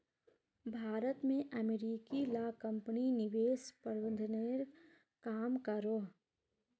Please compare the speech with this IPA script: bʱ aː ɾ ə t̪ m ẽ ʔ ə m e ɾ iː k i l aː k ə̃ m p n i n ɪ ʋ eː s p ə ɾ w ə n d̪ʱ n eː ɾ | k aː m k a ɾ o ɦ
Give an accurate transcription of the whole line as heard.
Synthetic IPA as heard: bʱ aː ɾ ə t̪ m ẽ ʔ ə m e ɾ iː k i l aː k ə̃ m p n i n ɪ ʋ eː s p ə ɾ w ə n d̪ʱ n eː ɾ | k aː m k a ɾ o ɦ